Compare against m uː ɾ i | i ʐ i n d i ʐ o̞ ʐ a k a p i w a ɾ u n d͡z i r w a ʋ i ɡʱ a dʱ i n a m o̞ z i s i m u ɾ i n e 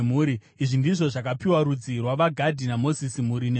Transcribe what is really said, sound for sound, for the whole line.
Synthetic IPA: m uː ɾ i | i ʐ i n d i ʐ o̞ ʐ a k a p i w a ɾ u d͡z i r w a ʋ a ɡʱ a dʱ i n a m o̞ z i s i m u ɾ i n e